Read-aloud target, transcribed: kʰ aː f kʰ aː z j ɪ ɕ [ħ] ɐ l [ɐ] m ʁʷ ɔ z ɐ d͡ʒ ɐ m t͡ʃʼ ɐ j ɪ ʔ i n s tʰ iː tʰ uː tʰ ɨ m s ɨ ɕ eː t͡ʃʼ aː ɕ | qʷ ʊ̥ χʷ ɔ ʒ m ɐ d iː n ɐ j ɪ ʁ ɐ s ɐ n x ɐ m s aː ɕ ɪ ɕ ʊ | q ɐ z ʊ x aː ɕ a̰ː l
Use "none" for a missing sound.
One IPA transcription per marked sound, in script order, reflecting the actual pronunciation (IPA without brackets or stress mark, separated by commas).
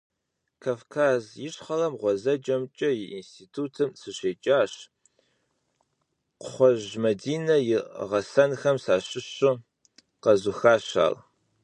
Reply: χ, ɐ